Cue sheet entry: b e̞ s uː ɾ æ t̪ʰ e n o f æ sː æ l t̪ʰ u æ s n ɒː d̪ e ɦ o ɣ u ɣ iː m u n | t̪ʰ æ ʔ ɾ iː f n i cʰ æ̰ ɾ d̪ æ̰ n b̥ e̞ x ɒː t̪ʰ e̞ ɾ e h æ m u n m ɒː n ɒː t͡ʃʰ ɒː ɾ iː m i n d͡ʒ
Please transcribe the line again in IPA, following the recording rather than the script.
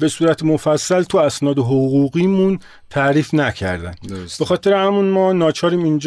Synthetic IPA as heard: b e̞ s uː ɾ æ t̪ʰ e m o f æ sː æ l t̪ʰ u æ s n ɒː d̪ e ɦ o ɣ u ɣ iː m u n | t̪ʰ æ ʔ ɾ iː f n æ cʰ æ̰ ɾ d̪ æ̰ n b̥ e̞ x ɒː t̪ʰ e̞ ɾ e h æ m u n m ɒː n ɒː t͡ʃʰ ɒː ɾ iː m i n d͡ʒ